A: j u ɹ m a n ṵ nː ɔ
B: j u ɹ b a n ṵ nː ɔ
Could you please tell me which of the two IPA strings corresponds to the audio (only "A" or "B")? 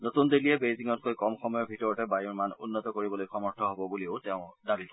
A